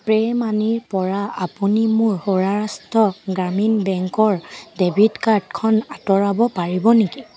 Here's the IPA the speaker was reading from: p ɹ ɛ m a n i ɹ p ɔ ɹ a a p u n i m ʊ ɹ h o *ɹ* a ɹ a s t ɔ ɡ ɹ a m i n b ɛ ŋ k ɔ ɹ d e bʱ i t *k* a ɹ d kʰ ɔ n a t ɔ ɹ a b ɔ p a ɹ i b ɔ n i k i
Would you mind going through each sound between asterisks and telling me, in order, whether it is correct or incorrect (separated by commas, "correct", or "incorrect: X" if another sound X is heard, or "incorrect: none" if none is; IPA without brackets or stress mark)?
correct, correct